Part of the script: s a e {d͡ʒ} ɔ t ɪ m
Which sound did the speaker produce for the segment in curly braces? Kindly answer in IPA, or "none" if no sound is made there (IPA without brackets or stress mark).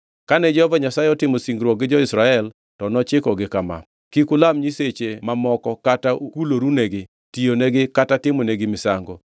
none